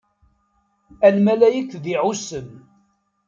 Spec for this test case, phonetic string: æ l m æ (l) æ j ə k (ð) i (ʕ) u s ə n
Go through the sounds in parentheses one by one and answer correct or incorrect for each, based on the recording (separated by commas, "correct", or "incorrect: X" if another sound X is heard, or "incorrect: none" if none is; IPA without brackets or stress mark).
correct, correct, correct